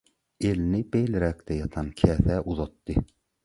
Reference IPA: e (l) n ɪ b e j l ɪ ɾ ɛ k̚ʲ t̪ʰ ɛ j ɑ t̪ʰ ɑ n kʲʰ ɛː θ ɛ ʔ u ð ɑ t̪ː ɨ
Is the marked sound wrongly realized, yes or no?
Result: no